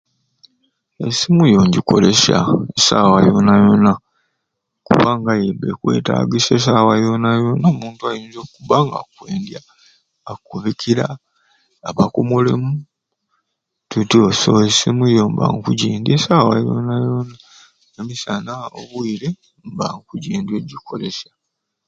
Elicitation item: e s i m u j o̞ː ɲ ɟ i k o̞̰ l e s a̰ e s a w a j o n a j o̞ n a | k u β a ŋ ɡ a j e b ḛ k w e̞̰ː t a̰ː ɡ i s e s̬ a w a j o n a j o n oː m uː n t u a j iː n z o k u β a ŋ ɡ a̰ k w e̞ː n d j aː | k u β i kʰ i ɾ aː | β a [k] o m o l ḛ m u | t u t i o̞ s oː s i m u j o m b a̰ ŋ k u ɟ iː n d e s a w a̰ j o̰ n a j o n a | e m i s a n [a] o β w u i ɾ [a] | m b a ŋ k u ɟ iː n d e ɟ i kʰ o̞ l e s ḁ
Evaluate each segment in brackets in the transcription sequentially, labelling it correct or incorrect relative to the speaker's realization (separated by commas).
correct, correct, incorrect